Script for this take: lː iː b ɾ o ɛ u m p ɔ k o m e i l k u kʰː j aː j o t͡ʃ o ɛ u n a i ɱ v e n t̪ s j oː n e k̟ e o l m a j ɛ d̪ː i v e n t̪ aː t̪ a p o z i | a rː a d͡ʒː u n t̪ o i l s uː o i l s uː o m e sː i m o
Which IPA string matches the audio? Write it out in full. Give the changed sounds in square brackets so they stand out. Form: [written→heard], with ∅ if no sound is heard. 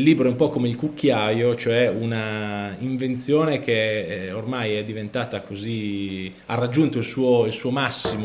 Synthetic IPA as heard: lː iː b ɾ o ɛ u m p ɔ k o m e i l k u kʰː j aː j o t͡ʃ o ɛ u n a i ɱ v e n t̪ s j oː n e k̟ e o [l→r] m a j ɛ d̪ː i v e n t̪ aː t̪ a [p→k] o z i | a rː a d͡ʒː u n t̪ o i l s uː o i l s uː o m [e→a] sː i m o

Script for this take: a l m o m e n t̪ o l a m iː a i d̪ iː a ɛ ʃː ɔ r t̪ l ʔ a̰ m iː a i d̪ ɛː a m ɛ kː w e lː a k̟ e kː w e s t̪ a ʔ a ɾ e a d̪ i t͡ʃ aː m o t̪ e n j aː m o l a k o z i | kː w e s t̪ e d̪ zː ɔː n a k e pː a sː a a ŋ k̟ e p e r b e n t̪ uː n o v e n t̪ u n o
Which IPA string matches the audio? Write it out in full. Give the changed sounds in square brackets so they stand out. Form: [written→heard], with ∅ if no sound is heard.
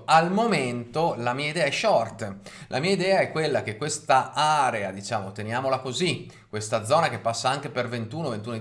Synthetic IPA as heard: a l m o m e n t̪ o l a m iː a i d̪ [iː→ɛː] a ɛ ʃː ɔ r t̪ l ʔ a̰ m iː a i d̪ ɛː a [m→∅] ɛ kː w e lː a k̟ e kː w e s t̪ a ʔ a ɾ e a d̪ i t͡ʃ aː m o t̪ e n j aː m o l a k o z i | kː w e s t̪ [e→a] d̪ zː ɔː n a k e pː a sː a a ŋ k̟ e p e r [b→v] e n t̪ uː n o v e n t̪ u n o

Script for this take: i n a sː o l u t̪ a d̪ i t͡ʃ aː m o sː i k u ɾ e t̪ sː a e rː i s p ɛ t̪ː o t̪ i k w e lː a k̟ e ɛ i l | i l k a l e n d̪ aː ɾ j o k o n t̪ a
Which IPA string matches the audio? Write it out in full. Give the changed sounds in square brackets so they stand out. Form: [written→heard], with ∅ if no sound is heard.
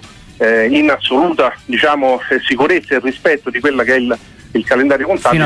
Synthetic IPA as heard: i n a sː o l [u→uː] t̪ a d̪ i t͡ʃ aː m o [sː→s] i k u ɾ e t̪ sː a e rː i s p ɛ t̪ː o [t̪→d̪] i k w e lː a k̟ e ɛ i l | i l k a l e n d̪ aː ɾ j o k o n t̪ a

